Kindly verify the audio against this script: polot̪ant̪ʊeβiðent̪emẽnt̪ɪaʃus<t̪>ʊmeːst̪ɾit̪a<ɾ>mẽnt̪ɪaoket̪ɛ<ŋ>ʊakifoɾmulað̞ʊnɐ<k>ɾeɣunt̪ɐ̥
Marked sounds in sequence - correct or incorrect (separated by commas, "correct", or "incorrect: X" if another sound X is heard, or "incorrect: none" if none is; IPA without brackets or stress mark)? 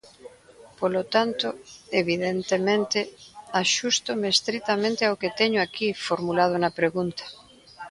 correct, incorrect: none, incorrect: ɲ, incorrect: p